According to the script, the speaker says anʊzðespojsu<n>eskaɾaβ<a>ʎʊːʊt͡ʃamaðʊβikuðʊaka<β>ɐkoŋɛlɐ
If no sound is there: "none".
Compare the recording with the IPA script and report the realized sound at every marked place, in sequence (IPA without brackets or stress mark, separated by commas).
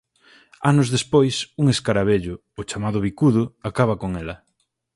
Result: ŋ, e, β